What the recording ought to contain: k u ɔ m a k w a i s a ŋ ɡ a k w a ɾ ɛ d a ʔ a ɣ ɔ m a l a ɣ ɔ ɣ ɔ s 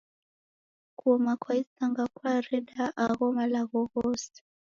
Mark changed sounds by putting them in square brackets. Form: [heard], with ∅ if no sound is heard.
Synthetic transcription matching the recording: k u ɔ m a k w a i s a ŋ ɡ a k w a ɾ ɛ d a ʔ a ɣ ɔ m a l a ɣ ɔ ɣ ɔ s